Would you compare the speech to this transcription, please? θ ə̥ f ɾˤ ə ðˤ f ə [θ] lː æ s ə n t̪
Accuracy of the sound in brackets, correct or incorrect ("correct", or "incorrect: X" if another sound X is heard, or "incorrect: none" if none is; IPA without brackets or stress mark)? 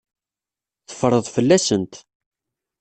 incorrect: none